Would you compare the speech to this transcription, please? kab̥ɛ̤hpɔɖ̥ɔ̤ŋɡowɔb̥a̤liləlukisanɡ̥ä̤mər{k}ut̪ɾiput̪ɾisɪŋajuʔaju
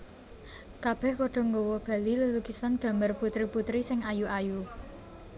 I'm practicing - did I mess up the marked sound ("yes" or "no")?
yes